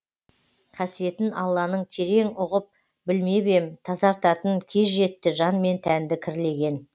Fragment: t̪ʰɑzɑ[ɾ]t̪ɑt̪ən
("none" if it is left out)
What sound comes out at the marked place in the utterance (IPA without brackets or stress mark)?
ɾ